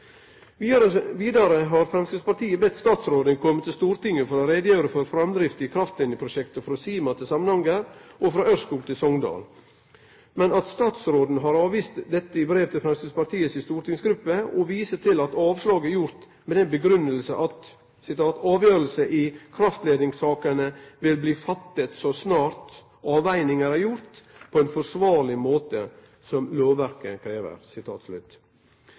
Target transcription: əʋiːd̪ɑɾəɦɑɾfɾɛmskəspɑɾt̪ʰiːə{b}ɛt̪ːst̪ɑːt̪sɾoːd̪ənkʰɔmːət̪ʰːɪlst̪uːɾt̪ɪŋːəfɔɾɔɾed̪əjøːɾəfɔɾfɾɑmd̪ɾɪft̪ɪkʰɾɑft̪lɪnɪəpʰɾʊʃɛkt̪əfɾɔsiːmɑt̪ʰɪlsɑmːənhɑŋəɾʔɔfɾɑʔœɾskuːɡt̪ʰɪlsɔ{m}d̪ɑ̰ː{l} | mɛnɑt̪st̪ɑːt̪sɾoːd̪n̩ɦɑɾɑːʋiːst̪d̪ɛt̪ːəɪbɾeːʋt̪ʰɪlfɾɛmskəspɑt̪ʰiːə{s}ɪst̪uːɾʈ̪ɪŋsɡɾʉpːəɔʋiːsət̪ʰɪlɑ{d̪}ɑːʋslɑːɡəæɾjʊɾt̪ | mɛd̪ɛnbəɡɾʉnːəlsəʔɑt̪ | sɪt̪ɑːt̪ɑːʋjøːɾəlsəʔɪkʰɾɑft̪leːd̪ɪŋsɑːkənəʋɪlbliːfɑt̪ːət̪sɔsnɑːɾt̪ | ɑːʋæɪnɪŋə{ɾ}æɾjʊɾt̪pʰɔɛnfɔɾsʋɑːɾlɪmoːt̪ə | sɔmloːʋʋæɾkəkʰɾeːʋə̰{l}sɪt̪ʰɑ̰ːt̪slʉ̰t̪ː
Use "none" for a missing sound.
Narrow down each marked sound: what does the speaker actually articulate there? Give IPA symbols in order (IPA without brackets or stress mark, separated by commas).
b, ŋ, l, s, t̪, ɾ, ɾ